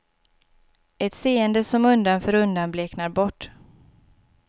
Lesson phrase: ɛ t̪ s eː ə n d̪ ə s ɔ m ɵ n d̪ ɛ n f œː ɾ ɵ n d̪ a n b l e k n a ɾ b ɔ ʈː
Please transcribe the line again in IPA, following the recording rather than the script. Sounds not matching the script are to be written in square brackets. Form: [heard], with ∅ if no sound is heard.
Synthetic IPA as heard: ɛ t̪ s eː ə n d̪ ə s ɔ m ɵ n d̪ [a] n f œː ɾ ɵ n d̪ a n b l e k n a ɾ b ɔ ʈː